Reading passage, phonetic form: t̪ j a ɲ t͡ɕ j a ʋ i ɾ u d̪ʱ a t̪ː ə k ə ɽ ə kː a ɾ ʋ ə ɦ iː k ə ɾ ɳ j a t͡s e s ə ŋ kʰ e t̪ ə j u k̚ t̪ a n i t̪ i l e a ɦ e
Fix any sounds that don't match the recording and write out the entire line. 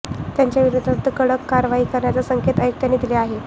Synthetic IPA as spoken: t̪ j a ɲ t͡ɕ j a ʋ i ɾ u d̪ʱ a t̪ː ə k ə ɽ ə kː a ɾ ʋ a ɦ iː k ə ɾ ɳ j a t͡s a s ə ŋ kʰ e t̪ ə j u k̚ t̪ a n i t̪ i l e a ɦ e

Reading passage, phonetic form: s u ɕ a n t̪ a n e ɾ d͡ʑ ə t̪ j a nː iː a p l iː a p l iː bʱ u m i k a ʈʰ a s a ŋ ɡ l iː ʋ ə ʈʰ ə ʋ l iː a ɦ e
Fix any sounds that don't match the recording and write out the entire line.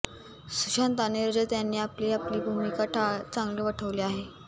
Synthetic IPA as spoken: s u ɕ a n t̪ a n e ɾ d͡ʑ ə t̪ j a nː iː a p l iː a p l iː bʱ u m i k a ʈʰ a t͡s a ŋ ɡ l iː ʋ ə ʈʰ ə ʋ l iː a ɦ e

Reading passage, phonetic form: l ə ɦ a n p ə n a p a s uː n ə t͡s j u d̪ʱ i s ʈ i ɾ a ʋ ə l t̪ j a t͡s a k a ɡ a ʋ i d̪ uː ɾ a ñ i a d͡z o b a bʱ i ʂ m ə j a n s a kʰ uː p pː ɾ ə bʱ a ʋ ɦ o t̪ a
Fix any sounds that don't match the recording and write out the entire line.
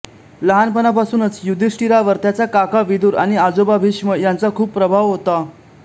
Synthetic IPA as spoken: l ə ɦ a n p ə n a p a s uː n ə t͡s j u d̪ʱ i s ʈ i ɾ a ʋ ə ɾ t̪ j a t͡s a k a k a ʋ i d̪ uː ɾ a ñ i a d͡z o b a bʱ i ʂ m ə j a n t͡s a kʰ uː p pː ɾ ə bʱ a ʋ ɦ o t̪ a

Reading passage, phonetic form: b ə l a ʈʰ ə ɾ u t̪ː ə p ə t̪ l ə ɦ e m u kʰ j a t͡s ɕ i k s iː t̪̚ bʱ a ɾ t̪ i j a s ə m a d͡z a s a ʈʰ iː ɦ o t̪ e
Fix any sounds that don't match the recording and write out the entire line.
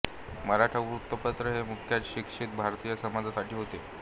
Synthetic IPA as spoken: m ə ɾ a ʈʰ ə ɾ u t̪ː ə p ə t̪ ɾ ə ɦ e m u kʰ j a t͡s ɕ i k ʂ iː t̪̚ bʱ a ɾ t̪ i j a s ə m a d͡z a s a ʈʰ iː ɦ o t̪ e

